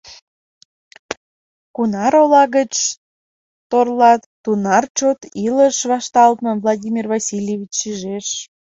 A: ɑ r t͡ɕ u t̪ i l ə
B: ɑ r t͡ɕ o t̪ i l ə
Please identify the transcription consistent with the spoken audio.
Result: B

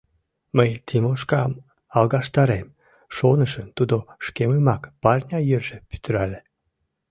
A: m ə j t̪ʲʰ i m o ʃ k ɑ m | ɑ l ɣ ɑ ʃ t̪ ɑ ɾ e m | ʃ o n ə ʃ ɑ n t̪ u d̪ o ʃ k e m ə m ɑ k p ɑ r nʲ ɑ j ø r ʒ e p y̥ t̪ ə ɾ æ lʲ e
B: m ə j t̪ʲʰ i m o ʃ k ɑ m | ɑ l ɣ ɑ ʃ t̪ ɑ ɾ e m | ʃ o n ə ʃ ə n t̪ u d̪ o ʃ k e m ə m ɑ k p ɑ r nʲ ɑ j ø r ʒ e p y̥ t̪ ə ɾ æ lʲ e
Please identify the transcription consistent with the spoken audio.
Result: B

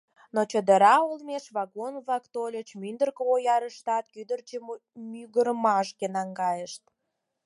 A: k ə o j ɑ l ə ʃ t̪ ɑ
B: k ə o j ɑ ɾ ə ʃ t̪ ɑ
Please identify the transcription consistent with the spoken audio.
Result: B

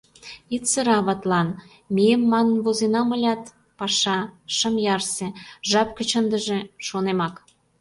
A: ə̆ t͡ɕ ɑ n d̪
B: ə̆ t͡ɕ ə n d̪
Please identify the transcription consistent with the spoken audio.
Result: B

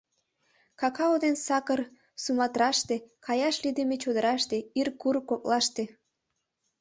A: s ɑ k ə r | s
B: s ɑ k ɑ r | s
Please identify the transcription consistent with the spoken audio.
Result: A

